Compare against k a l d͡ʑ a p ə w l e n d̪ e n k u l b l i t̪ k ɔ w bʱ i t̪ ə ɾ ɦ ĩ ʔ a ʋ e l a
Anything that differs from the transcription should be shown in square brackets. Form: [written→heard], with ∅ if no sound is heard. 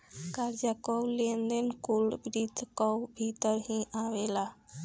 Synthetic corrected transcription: k a [l→ɾ] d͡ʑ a [p→k] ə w l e n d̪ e n k u l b [l→ɾ] i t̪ k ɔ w bʱ i t̪ ə ɾ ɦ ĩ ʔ a ʋ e l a